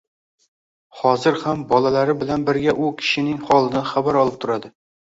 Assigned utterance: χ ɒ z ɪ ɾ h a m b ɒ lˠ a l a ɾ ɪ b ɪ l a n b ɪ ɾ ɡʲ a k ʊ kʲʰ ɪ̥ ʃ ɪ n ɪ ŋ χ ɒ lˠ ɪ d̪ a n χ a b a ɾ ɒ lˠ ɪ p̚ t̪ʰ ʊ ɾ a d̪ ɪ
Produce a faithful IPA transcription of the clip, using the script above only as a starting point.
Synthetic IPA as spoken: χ ɒ z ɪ ɾ h a m b ɒ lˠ a l a ɾ ɪ b ɪ l a n b ɪ ɾ ɡʲ a ʔ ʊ kʲʰ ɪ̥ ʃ ɪ n ɪ ŋ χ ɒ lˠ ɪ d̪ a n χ a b a ɾ ɒ lˠ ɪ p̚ t̪ʰ ʊ ɾ a d̪ ɪ